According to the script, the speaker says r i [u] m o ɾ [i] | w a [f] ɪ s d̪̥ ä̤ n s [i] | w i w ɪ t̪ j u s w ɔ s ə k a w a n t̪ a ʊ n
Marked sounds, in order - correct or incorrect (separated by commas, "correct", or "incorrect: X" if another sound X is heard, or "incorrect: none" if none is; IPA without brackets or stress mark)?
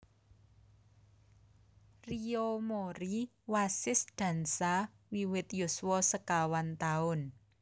incorrect: o, correct, incorrect: s, incorrect: a